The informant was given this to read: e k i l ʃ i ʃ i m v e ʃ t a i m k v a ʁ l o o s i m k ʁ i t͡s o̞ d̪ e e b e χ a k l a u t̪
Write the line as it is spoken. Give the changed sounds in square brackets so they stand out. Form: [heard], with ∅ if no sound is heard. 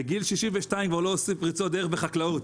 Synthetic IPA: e [ɡ] i l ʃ i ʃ i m v e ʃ t a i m k v a ʁ l o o s i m [p] ʁ i t͡s o̞ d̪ e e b e χ a k l a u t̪